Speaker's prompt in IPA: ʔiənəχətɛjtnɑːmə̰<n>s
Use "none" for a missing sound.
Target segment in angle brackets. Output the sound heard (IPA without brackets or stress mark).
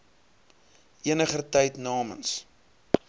n